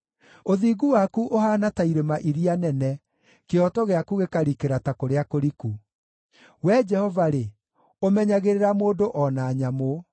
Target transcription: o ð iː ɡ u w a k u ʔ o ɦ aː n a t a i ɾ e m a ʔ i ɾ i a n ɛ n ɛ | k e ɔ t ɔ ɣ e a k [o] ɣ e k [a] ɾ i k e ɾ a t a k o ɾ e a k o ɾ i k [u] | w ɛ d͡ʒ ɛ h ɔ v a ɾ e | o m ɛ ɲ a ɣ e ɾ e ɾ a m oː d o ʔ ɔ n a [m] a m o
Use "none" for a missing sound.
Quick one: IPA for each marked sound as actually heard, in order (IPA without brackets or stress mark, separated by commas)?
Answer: u, a, u, ɲ